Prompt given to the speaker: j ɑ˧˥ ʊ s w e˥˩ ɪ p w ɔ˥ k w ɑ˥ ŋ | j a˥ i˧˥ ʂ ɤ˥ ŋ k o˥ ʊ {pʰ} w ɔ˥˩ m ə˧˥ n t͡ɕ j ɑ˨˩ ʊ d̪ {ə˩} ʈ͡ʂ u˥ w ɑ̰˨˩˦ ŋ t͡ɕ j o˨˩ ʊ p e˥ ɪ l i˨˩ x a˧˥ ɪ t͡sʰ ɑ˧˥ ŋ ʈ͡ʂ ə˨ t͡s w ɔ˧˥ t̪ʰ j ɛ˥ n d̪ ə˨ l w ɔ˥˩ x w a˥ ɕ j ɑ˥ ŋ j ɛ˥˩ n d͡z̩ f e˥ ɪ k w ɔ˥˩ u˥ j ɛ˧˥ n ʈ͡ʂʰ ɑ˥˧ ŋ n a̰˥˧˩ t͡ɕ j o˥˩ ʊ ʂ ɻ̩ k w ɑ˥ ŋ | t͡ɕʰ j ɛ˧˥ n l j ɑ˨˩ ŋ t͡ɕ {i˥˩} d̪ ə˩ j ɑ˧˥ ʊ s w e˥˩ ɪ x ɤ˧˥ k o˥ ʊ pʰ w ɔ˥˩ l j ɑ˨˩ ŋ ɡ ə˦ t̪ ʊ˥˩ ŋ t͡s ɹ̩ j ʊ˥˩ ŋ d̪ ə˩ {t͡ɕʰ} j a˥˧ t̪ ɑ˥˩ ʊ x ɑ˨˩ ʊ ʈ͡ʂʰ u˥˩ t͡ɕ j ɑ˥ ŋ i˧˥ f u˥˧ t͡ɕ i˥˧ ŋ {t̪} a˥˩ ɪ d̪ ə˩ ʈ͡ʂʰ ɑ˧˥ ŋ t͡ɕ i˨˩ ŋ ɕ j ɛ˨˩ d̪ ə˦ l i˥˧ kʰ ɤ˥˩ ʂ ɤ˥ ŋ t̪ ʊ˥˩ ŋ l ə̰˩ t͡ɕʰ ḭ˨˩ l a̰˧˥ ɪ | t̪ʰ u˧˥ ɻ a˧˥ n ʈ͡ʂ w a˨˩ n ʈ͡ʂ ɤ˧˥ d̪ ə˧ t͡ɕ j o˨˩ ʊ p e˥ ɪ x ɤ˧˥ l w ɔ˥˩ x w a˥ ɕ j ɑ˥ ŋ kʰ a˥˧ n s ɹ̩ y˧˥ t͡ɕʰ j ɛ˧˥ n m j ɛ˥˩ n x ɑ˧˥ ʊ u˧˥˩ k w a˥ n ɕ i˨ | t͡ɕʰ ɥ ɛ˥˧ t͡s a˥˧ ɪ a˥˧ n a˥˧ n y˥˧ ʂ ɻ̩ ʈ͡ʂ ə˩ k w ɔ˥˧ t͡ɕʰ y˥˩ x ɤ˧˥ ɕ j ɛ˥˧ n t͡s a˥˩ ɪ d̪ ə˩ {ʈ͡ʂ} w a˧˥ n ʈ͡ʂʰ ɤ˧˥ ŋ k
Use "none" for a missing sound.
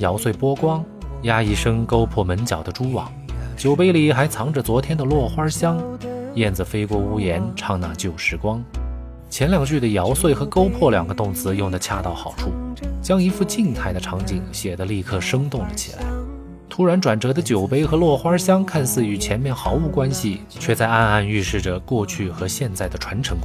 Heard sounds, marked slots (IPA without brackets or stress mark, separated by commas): pʰ, ə˦, y˥˩, t͡ɕʰ, t̪ʰ, ʈ͡ʂʰ